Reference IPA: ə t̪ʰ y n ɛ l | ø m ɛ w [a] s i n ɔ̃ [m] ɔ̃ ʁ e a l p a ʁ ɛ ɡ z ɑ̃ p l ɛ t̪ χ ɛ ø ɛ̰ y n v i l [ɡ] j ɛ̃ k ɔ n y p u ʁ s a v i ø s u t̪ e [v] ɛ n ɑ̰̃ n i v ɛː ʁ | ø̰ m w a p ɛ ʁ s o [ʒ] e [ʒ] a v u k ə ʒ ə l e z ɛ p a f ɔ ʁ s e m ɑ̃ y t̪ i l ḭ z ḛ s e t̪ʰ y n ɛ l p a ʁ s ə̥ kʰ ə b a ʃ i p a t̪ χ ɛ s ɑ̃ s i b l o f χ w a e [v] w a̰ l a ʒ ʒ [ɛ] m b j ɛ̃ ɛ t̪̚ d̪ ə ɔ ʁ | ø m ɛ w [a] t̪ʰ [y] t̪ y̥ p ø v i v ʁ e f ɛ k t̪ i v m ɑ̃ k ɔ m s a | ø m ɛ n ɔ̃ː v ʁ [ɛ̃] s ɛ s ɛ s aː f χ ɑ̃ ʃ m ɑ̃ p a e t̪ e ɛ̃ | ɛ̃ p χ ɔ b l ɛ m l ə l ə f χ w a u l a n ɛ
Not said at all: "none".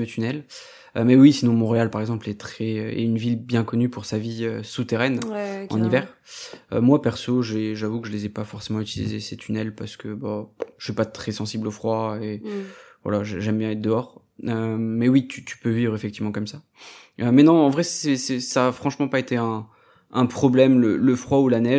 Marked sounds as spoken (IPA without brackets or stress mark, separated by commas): i, m, b, ʁ, ʒ, ʒ, v, ɛ, i, y, ɛ